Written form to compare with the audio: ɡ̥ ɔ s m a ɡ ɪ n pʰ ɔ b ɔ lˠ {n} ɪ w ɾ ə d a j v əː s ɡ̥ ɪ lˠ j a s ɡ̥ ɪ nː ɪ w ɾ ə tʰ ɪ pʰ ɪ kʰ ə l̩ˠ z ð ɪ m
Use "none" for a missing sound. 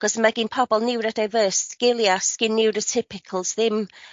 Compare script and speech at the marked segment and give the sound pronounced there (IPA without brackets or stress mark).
n